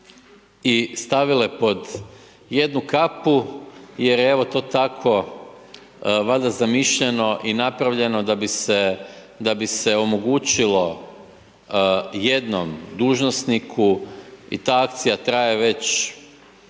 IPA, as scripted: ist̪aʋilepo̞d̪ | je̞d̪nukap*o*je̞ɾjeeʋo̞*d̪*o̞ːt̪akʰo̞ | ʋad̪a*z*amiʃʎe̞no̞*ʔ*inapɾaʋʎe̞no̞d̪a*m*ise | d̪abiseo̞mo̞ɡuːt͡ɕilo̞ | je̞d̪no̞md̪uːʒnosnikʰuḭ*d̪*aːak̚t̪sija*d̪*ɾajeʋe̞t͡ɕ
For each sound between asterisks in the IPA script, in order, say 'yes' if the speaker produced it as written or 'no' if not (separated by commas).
no, no, yes, yes, no, no, no